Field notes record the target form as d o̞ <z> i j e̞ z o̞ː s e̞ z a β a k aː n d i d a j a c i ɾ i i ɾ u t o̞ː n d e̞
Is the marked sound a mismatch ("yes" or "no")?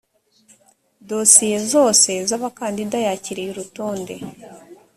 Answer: yes